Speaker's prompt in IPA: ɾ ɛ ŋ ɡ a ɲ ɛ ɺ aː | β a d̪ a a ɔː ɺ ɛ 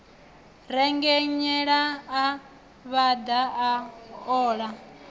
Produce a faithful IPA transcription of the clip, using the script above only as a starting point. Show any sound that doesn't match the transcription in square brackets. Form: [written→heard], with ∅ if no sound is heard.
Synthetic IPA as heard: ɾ ɛ ŋ ɡ [a→ɛ] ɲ ɛ ɺ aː | β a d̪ a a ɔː ɺ [ɛ→a]